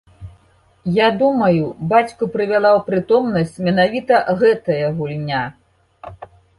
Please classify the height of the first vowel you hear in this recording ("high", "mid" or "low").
low